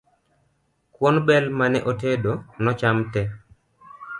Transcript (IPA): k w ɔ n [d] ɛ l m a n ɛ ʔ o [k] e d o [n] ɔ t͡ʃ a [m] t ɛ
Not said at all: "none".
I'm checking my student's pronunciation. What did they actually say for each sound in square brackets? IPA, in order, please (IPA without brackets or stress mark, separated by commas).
b, t, n, m